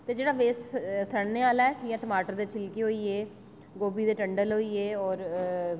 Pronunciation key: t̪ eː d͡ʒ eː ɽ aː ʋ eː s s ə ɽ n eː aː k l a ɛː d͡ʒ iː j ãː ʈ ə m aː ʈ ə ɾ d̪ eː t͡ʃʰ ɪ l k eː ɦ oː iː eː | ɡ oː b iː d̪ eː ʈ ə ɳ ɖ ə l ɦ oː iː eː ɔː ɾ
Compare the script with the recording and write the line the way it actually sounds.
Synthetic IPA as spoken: t̪ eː d͡ʒ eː ɽ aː ʋ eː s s ə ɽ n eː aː l a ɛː d͡ʒ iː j ãː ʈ ə m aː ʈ ə ɾ d̪ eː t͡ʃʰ ɪ l k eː ɦ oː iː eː | ɡ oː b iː d̪ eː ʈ ə ɳ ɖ ə l ɦ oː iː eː ɔː ɾ